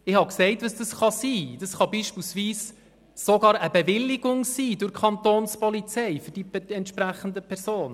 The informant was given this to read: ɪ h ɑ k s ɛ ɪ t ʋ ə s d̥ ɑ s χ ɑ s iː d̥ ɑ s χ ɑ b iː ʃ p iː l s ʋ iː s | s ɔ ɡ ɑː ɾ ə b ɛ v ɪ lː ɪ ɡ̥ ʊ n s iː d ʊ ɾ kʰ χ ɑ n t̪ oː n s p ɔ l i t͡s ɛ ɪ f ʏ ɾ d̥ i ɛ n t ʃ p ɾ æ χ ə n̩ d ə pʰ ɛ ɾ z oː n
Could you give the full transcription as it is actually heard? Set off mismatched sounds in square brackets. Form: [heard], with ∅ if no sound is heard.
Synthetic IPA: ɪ h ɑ k s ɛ ɪ t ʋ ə s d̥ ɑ s χ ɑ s iː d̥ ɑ s χ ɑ b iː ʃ p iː l s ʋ iː s | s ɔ ɡ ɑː ɾ ə b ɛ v ɪ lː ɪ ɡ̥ ʊ [ŋ] s iː d ʊ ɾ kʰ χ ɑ n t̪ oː n s p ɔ l i t͡s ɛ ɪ f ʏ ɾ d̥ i ɛ n t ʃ p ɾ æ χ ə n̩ d ə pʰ ɛ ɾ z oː n